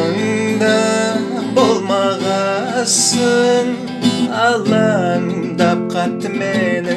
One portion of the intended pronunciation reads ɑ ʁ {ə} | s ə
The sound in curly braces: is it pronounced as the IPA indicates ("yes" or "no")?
no